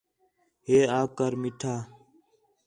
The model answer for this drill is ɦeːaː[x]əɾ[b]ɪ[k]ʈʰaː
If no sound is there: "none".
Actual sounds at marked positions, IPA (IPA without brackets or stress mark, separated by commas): k, m, none